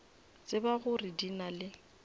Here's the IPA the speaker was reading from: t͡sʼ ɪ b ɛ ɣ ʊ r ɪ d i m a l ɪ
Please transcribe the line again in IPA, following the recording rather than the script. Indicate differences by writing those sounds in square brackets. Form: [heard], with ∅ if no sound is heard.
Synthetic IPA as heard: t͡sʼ ɪ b [a] ɣ ʊ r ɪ d i [n] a l ɪ